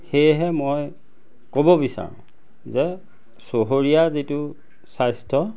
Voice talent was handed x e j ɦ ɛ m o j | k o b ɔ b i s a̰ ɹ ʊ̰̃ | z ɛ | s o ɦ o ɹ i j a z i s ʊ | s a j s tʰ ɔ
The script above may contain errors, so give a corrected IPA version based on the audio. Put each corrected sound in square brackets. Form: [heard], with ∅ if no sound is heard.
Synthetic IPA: x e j ɦ ɛ m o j | k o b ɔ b i s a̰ ɹ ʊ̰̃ | z ɛ | s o ɦ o ɹ i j a z i [t] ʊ | s a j s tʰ ɔ